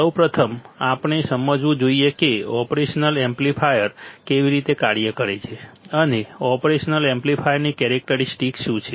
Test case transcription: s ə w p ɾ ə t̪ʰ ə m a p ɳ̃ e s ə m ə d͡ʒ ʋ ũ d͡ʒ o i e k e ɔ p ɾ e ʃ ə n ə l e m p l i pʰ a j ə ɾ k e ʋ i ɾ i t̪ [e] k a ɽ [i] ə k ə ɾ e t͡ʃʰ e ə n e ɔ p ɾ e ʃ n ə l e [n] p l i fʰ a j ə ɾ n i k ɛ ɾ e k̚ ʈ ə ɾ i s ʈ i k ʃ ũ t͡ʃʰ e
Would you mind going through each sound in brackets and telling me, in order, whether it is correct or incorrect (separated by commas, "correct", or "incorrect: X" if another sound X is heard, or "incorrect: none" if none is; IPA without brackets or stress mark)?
correct, incorrect: j, incorrect: m